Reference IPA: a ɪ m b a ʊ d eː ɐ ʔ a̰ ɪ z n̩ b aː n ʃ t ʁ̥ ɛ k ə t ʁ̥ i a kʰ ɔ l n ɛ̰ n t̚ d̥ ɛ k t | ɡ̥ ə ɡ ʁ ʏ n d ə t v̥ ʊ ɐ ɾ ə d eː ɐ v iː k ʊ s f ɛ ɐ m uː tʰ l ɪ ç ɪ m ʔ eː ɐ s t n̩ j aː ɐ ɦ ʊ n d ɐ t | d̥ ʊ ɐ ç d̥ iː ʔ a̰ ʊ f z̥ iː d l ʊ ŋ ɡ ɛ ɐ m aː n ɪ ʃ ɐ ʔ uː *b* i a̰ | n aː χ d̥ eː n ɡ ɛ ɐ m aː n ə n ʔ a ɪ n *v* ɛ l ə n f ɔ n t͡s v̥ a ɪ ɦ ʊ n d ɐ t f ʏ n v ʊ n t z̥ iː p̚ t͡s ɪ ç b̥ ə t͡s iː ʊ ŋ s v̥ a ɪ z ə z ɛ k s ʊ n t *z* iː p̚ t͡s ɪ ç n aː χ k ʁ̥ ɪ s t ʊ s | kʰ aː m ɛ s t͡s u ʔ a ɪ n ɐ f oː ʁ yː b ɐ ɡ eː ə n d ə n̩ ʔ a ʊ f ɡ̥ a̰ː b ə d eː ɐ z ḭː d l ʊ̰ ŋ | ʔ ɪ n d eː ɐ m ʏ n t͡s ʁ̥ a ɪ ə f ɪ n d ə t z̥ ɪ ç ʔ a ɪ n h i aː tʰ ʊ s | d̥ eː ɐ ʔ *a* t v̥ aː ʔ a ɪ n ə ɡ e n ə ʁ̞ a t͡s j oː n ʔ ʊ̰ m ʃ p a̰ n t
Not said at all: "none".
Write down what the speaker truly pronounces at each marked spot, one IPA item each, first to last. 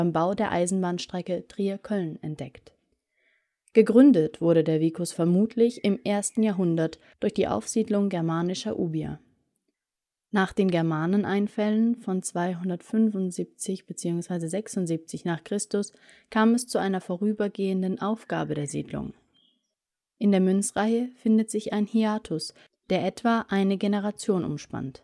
b, f, z, ɛ

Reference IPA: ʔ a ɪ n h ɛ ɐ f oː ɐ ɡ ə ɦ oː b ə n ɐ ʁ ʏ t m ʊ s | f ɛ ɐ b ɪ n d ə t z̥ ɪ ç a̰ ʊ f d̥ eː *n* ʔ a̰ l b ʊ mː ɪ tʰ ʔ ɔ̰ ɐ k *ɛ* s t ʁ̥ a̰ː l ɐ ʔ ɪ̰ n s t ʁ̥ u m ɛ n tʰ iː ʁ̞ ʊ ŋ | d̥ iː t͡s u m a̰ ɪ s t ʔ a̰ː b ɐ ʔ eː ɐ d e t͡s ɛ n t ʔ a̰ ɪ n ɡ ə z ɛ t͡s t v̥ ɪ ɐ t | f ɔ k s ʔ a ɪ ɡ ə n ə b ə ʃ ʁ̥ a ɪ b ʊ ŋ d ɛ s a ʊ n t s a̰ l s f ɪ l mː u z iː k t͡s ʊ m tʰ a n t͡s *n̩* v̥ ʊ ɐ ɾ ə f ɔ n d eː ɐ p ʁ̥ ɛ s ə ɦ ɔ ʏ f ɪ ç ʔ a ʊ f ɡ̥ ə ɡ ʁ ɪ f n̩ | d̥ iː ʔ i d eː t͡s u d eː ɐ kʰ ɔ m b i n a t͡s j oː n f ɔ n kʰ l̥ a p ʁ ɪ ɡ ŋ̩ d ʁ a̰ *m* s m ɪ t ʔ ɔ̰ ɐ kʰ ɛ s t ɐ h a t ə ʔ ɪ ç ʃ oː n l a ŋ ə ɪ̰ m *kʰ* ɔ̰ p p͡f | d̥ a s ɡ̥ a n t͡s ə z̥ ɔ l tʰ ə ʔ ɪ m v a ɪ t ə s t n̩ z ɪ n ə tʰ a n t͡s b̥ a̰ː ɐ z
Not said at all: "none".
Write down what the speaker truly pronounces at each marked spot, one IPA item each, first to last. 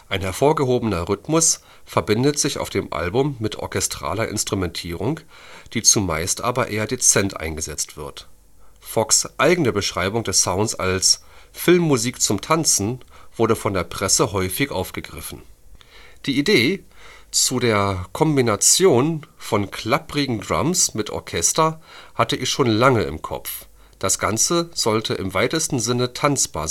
m, ɛ, n̩, m, kʰ

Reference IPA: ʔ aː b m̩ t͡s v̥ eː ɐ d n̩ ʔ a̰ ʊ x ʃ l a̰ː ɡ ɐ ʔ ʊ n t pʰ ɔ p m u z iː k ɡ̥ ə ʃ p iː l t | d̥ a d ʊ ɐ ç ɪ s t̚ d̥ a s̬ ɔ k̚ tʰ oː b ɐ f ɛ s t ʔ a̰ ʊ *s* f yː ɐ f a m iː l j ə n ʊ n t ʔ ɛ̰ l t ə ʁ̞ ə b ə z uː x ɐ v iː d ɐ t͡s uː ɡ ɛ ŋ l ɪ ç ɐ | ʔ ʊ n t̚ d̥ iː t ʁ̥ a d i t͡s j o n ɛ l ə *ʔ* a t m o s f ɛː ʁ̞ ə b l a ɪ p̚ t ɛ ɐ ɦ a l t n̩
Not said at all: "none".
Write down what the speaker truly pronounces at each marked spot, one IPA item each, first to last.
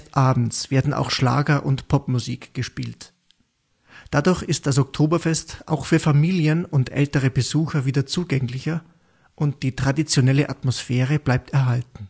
x, ʔ

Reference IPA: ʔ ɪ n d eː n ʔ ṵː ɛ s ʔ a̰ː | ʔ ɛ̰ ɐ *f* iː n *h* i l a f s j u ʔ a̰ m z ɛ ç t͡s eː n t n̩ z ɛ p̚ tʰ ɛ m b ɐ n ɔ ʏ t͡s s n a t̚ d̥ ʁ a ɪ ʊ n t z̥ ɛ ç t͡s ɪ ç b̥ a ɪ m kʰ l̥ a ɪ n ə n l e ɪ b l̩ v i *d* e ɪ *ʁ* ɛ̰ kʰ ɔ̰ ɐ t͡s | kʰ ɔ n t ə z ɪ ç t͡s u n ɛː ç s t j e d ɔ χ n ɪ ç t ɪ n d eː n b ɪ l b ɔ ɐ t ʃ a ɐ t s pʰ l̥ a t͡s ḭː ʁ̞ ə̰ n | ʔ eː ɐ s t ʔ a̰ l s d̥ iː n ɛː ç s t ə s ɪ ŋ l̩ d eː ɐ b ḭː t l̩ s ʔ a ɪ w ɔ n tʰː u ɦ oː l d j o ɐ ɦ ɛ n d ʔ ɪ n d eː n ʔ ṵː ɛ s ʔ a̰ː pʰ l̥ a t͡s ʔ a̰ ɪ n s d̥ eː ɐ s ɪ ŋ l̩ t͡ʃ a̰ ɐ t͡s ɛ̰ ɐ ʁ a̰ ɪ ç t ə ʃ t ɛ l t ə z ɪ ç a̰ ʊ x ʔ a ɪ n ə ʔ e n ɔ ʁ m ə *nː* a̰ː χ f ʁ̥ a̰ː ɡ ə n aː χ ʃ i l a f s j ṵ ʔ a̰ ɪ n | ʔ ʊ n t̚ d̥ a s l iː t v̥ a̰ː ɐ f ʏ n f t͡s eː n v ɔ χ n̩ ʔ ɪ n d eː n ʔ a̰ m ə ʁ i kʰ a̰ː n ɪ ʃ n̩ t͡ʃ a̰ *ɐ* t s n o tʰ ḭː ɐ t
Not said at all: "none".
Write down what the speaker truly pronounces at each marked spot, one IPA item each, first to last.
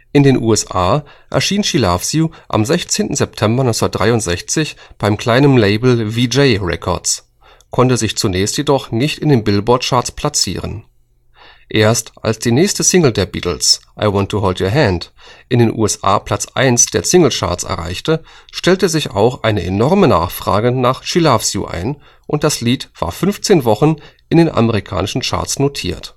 ʃ, ʃ, d͡ʒ, ʁ, n, ɐ

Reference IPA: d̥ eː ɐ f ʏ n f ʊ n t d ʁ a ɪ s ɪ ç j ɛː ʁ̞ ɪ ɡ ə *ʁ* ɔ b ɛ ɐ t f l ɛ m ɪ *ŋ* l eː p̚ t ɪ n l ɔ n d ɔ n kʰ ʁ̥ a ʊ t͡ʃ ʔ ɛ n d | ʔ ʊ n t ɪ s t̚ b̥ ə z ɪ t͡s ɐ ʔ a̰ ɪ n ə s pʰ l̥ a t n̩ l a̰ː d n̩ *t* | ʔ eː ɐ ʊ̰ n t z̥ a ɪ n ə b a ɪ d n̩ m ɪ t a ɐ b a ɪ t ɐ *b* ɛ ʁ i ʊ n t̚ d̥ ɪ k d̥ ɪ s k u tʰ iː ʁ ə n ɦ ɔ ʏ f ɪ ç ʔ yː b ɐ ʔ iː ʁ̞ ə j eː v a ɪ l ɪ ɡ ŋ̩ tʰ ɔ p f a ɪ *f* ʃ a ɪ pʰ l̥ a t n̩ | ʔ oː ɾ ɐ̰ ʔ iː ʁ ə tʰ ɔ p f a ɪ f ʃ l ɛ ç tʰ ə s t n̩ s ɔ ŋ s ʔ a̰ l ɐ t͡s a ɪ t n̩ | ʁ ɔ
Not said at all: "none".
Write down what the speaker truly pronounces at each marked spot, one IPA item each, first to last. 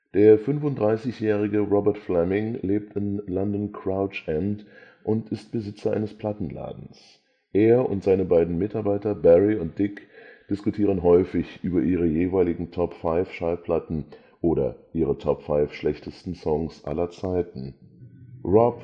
ʁ, ŋ, s, b, f

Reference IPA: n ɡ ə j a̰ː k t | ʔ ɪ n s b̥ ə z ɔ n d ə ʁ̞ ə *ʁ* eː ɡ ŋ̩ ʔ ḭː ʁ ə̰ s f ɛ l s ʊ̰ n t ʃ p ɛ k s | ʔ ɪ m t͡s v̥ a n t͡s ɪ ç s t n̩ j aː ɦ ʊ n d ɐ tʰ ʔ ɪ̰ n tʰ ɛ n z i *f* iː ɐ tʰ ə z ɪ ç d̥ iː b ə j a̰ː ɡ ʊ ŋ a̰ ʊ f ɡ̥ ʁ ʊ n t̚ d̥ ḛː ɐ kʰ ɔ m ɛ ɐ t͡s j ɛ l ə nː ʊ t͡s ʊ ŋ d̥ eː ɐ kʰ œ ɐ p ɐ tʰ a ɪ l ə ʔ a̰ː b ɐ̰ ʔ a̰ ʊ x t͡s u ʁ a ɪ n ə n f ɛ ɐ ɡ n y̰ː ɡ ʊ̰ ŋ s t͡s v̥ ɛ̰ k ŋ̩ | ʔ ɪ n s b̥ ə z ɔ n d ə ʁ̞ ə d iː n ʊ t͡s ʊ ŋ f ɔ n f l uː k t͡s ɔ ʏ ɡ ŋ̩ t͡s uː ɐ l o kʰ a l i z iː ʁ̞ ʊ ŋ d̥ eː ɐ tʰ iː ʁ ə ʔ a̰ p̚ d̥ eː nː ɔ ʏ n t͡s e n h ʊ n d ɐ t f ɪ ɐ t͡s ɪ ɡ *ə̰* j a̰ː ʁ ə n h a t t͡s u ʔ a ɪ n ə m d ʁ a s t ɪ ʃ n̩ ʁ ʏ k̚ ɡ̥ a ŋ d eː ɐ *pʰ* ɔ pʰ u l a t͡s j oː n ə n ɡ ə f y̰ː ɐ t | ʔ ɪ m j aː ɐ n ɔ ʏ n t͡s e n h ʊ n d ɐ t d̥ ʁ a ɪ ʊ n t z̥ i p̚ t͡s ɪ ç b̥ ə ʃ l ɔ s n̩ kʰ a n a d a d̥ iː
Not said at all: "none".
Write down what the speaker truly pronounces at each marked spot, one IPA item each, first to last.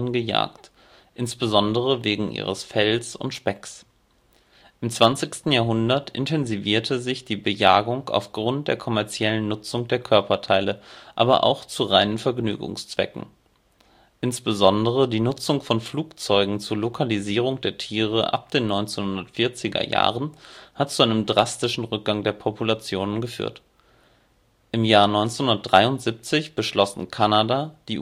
v, v, ɐ̰, pʰ

